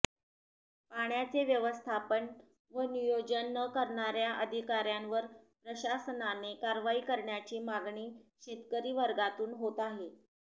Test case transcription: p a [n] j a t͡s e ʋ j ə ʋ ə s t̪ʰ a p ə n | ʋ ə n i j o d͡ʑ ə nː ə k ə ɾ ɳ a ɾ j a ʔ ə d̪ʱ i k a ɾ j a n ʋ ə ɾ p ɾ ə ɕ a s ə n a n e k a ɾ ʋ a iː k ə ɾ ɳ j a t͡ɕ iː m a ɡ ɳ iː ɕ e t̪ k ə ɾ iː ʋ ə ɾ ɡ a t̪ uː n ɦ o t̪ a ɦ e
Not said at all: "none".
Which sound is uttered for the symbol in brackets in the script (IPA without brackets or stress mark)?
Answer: ɳ